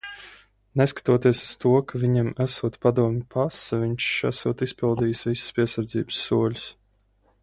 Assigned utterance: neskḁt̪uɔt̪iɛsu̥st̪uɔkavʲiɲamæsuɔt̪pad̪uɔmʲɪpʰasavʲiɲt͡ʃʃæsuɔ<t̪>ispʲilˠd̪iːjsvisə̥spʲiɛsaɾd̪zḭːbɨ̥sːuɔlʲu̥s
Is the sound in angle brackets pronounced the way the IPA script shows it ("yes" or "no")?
yes